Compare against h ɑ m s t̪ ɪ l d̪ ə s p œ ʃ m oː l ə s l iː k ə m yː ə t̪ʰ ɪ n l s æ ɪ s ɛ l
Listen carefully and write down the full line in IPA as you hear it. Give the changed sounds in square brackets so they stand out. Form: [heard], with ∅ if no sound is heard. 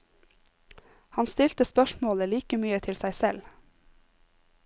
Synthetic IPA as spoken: h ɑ [n] s t̪ ɪ l [t̪] ə s p œ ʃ m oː l ə [∅] l iː k ə m yː ə t̪ʰ ɪ [∅] l s æ ɪ s ɛ l